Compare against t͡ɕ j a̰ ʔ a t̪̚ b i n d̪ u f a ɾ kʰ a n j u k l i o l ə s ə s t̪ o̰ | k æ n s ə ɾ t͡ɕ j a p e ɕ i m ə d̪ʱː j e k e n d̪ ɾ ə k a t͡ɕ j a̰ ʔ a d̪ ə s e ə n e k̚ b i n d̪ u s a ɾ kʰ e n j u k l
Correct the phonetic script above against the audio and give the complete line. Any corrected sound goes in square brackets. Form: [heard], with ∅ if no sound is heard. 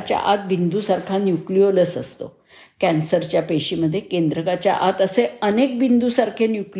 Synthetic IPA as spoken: t͡ɕ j a̰ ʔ a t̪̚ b i n d̪ u [s] a ɾ kʰ a n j u k l i o l ə s ə s t̪ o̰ | k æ n s ə ɾ t͡ɕ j a p e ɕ i m ə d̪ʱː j e k e n d̪ ɾ ə k a t͡ɕ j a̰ ʔ a [t̪] ə s e ə n e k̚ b i n d̪ u s a ɾ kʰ e n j u k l